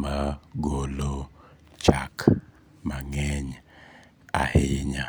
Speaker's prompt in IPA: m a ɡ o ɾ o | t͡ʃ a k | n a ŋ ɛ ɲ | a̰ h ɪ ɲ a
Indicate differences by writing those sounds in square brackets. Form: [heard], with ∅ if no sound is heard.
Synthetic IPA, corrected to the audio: m a ɡ o [l] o | t͡ʃ a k | [m] a ŋ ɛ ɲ | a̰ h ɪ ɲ a